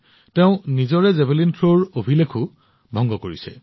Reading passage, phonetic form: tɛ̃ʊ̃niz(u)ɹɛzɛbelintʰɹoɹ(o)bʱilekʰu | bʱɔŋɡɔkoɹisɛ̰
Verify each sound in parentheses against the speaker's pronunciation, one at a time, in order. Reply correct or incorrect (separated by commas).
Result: incorrect, correct